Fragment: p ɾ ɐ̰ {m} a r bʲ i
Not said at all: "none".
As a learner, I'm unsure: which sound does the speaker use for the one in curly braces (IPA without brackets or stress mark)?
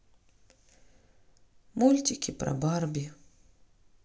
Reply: b